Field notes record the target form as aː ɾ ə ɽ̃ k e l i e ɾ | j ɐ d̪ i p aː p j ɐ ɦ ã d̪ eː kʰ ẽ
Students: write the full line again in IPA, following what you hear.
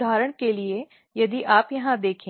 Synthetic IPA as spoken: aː ɾ ə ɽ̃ k e l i e | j ɐ d̪ i ʔ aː p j ɐ ɦ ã d̪ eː kʰ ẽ

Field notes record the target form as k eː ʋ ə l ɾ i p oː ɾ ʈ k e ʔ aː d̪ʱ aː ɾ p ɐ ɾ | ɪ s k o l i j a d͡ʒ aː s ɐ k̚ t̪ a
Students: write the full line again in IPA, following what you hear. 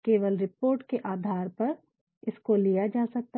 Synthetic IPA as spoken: k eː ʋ ə l ɾ ɪ p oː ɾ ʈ k e ʔ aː d̪ʱ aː ɾ p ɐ ɾ | ɪ s k o l i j a d͡ʒ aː s ɐ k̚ t̪ a

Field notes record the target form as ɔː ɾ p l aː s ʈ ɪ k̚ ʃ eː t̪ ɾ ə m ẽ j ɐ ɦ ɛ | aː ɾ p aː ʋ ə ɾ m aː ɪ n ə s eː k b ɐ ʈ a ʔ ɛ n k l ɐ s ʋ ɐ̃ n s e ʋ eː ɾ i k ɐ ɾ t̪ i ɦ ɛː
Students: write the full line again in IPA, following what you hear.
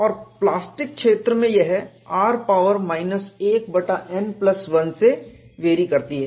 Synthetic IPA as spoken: ɔː ɾ p l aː s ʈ ɪ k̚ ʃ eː t̪ ɾ ə m ẽ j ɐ ɦ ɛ | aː ɾ p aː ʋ ə ɾ m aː ɪ n ə s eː k b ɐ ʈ a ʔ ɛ n p l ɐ s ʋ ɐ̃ n s e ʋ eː ɾ i k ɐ ɾ t̪ i ɦ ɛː

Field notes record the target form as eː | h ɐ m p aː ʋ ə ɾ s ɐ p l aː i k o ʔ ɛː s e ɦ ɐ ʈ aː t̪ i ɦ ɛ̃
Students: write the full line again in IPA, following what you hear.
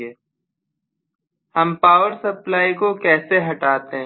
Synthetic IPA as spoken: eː | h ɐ m p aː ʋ ə ɾ s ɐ p l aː i k o k ɛː s e ɦ ɐ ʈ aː t̪ e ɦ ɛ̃

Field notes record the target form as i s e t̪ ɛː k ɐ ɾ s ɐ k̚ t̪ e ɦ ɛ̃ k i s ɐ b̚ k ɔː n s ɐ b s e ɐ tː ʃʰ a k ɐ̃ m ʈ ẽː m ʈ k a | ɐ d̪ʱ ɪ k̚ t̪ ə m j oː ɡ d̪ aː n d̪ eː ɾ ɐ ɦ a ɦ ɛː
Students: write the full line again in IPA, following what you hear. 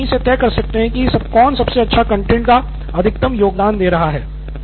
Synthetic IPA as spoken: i s e t̪ ɛː k ɐ ɾ s ɐ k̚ t̪ e ɦ ɛ̃ k i s ɐ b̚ k ɔː n s ɐ b s e ɐ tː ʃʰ a k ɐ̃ ɳ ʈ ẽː ɳ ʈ k a | ɐ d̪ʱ ɪ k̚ t̪ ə m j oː ɡ d̪ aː n d̪ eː ɾ ɐ ɦ a ɦ ɛː

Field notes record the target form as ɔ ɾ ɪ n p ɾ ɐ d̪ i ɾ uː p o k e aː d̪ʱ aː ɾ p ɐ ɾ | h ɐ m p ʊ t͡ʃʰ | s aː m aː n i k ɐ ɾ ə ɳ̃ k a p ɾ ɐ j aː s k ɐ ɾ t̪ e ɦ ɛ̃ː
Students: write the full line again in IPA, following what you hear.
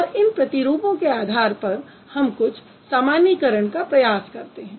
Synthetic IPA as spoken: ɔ ɾ ɪ n p ɾ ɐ t̪ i ɾ uː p õ k e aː d̪ʱ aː ɾ p ɐ ɾ | h ɐ m k ʊ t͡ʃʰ | s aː m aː n i k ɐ ɾ ə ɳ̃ k a p ɾ ɐ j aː s k ɐ ɾ t̪ e ɦ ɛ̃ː

